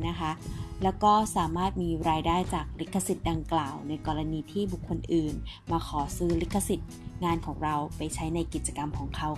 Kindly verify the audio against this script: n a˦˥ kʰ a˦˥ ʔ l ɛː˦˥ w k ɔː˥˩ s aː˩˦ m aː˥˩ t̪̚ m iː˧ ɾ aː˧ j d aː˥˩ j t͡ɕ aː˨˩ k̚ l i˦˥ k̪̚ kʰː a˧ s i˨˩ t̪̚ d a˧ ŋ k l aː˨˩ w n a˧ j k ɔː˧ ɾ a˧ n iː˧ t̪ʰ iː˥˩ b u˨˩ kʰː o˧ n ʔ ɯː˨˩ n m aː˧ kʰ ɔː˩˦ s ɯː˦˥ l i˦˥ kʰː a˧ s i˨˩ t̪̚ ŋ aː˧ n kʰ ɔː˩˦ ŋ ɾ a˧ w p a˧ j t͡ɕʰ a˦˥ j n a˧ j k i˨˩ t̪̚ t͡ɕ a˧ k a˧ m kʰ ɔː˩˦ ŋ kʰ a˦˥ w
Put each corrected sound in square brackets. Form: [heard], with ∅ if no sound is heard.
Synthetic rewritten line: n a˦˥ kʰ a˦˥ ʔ l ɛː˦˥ w k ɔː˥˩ s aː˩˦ m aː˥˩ t̪̚ m iː˧ ɾ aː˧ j d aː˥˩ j t͡ɕ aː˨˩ k̚ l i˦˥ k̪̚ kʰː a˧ s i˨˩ t̪̚ d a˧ ŋ k l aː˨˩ w n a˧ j k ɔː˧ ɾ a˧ n iː˧ t̪ʰ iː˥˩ b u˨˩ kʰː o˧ n ʔ ɯː˨˩ n m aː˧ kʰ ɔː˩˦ s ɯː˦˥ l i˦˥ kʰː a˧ s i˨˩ t̪̚ ŋ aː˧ n kʰ ɔː˩˦ ŋ ɾ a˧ w p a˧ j t͡ɕʰ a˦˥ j n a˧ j k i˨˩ t̪̚ t͡ɕ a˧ k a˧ m kʰ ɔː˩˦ ŋ kʰ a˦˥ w

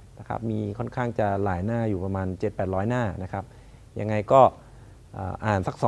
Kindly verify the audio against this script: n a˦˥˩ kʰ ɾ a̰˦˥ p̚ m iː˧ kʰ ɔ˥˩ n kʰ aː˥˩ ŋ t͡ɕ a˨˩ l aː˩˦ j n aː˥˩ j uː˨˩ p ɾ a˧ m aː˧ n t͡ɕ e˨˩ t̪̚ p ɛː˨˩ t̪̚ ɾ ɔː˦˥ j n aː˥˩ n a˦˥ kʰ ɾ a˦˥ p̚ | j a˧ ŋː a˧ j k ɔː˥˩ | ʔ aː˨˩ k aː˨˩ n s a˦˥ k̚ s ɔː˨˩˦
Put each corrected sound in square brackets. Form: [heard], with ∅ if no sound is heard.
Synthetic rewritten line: n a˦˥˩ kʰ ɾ a̰˦˥ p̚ m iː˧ kʰ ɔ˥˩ n kʰ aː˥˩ ŋ t͡ɕ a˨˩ l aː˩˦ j n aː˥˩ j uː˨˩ p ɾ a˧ m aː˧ n t͡ɕ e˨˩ t̪̚ p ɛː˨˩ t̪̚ ɾ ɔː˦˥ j n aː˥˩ n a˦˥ kʰ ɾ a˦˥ p̚ | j a˧ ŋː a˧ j k ɔː˥˩ | ʔ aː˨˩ [ʔ] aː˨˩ n s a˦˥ k̚ s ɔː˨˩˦

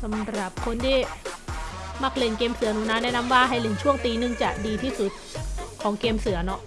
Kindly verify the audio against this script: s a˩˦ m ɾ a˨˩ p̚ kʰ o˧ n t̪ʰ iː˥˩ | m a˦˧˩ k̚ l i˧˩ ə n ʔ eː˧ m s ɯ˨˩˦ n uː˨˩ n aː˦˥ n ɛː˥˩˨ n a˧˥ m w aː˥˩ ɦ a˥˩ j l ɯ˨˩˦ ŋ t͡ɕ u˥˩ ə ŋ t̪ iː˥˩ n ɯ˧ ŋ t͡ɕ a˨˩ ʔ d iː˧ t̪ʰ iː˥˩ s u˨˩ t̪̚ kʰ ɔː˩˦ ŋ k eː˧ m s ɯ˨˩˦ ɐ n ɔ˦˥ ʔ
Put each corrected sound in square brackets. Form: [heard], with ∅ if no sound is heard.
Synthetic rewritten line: s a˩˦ m ɾ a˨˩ p̚ kʰ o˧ n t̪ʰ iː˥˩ | m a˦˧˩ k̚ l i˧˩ ə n [k] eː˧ m s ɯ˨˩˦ n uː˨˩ n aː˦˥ n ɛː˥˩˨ n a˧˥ m w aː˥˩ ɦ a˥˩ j l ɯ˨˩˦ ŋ [t͡ɕʰ] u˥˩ ə ŋ t̪ [iː˧] n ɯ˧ ŋ t͡ɕ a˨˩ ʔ d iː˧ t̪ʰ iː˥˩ s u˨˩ t̪̚ kʰ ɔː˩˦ ŋ k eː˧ m s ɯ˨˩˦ ɐ n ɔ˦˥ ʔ

